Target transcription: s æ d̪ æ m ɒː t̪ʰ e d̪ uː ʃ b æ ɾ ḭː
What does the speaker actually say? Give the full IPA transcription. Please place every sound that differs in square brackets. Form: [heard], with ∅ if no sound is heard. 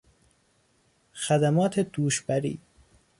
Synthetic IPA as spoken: [x] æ d̪ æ m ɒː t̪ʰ e d̪ uː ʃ b æ ɾ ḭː